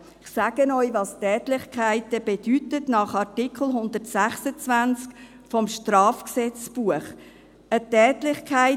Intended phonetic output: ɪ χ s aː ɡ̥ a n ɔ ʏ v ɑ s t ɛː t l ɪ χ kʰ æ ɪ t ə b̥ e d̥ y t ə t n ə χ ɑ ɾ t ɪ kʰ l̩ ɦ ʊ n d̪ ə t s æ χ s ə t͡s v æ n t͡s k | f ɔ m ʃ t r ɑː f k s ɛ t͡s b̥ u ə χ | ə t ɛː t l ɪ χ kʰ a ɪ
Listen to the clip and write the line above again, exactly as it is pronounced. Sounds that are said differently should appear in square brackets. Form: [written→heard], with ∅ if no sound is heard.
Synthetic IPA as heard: ɪ χ s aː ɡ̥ [a→ə] n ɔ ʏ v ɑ s t ɛː t l ɪ χ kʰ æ ɪ t ə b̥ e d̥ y t ə t n [ə→ɑ] χ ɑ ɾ t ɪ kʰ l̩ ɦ ʊ n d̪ ə t s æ χ s ə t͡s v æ n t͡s k | f ɔ m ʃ t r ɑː f k s ɛ t͡s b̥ u ə χ | ə t ɛː t l ɪ χ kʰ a ɪ

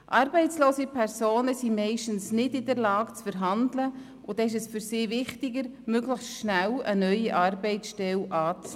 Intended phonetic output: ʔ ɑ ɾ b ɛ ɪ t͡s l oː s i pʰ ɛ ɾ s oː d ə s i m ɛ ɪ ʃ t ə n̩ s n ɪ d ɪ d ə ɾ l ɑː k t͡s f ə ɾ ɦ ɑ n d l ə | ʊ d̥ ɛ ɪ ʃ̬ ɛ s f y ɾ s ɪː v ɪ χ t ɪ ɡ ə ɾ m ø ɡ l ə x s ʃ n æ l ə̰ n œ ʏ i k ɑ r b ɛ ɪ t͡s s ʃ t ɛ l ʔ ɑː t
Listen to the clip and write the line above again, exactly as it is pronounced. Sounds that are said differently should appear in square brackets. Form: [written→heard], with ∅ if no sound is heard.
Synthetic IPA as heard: ʔ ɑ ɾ b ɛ ɪ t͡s l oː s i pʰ ɛ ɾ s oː [d→n] ə s i m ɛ ɪ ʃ t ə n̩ s n ɪ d ɪ d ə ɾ l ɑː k t͡s f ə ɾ ɦ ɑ n d l ə | ʊ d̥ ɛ ɪ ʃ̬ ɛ s f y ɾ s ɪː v ɪ χ t ɪ ɡ ə ɾ m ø ɡ l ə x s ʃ n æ l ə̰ n œ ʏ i [k→ʔ] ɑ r b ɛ ɪ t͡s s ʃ t ɛ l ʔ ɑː [t→t͡s]

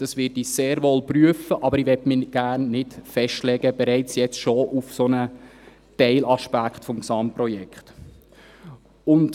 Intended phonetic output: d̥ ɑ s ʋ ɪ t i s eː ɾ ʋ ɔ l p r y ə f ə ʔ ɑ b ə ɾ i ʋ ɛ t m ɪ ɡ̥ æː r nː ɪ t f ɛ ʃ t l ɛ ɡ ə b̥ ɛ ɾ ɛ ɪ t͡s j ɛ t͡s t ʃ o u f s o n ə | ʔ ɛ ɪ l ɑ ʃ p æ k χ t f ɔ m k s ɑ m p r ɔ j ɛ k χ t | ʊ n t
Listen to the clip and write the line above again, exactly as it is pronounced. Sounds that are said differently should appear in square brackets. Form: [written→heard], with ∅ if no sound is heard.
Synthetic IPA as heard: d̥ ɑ s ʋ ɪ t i s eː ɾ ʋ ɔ l p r y ə f ə ʔ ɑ b ə ɾ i ʋ ɛ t m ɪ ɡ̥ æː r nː ɪ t f ɛ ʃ t l ɛ ɡ ə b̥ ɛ ɾ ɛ ɪ t͡s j ɛ t͡s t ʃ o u f s o n ə | [ʔ→t] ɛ ɪ l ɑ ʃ p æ k χ t f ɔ m k s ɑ m p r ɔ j ɛ k χ t | ʊ n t

